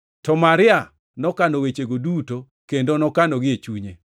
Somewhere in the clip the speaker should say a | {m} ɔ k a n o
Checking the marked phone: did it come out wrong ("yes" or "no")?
yes